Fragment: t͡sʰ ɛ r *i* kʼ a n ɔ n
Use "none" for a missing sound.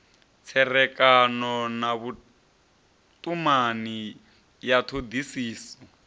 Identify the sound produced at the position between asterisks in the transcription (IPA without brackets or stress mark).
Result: ɛ